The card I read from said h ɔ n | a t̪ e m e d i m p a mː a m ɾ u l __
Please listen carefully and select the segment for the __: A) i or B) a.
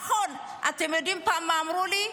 A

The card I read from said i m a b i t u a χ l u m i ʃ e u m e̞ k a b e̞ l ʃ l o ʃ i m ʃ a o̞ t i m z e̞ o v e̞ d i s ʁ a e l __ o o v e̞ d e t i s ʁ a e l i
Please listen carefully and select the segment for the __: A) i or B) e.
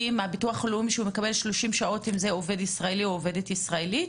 A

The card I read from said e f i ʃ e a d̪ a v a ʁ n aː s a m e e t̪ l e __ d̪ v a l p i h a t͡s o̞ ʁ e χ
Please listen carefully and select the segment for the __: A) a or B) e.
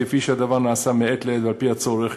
B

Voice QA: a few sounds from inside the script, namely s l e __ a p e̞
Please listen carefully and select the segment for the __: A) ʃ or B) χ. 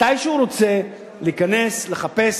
B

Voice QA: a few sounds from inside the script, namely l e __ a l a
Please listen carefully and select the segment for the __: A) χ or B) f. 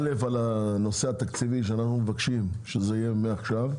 B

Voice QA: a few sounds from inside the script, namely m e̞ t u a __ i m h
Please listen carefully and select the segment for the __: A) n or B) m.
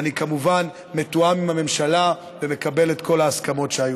B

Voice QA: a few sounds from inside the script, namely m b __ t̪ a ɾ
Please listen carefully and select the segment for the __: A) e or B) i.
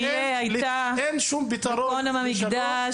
B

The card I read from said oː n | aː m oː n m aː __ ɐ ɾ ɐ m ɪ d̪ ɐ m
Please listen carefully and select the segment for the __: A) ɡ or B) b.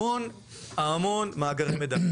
A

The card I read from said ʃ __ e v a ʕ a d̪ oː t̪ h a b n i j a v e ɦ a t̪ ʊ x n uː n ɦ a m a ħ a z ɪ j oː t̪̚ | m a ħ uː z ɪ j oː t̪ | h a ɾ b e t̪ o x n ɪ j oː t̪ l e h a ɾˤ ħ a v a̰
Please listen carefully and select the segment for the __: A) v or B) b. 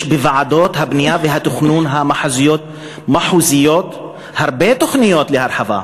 B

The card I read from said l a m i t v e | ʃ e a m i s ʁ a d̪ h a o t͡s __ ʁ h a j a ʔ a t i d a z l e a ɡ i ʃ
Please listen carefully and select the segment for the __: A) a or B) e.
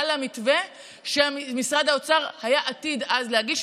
A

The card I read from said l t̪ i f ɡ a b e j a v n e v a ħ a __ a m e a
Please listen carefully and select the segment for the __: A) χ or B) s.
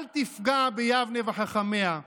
A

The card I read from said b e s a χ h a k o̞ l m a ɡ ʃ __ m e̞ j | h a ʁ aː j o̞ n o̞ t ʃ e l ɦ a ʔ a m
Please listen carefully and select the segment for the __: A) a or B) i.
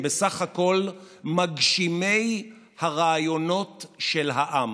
B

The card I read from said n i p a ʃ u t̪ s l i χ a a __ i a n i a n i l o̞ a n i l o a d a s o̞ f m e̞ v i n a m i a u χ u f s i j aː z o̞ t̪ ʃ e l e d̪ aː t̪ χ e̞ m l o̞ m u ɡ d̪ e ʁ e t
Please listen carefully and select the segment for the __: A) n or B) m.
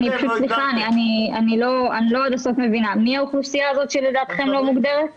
A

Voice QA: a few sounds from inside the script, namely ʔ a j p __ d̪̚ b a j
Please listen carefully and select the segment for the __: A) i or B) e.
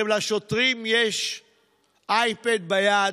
B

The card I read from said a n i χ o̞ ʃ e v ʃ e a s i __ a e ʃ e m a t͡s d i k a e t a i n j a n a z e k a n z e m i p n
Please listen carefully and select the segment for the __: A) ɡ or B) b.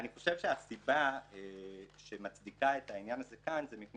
B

